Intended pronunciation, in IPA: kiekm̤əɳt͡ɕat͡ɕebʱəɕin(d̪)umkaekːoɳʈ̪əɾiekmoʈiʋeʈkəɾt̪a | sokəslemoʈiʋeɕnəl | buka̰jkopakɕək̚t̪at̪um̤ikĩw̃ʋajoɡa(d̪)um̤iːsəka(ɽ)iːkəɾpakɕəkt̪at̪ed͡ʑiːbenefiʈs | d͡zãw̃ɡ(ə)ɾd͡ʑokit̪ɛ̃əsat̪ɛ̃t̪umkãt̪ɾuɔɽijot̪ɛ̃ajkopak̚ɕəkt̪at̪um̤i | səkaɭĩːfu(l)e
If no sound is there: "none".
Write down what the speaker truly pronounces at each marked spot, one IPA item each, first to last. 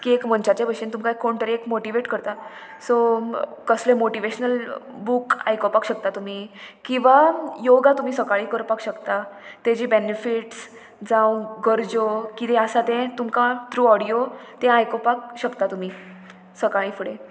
t̪, t̪, ɭ, ə, ɽ

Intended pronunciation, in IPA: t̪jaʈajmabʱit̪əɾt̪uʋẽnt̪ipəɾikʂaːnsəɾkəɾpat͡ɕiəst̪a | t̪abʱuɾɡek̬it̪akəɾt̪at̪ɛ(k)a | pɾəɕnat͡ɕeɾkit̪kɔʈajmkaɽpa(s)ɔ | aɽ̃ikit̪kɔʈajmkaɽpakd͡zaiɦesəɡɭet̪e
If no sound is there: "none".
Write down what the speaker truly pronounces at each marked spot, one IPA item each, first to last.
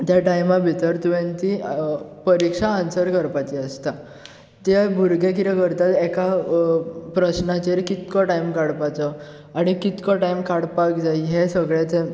k, t͡s

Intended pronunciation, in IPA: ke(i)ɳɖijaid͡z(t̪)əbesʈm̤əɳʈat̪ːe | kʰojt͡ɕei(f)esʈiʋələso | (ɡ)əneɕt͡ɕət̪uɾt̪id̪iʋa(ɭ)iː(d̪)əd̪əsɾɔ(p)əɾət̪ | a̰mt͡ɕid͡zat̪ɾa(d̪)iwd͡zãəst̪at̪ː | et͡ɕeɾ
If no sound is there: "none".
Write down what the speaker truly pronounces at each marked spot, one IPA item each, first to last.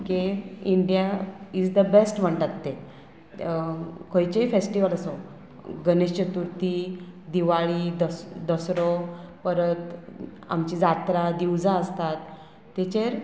i, d̪, f, ɡ, ɭ, d̪, p, d̪

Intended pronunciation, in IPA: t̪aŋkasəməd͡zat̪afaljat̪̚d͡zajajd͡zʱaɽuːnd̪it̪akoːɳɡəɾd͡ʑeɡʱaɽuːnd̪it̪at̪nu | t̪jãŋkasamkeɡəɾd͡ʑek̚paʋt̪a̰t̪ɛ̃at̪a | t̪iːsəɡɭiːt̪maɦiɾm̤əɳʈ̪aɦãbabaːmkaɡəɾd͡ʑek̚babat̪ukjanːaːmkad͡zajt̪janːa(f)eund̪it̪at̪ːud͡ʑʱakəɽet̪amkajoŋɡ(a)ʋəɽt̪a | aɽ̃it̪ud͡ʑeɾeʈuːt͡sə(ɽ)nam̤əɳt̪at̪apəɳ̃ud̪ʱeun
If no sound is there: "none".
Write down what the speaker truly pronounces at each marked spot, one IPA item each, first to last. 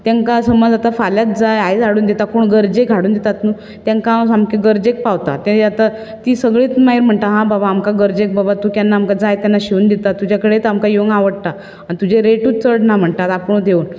ɕ, a, ɽ

